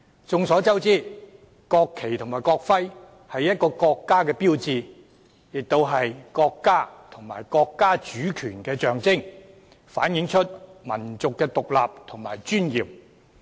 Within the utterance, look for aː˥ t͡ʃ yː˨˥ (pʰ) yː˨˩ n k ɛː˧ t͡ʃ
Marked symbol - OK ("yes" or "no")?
no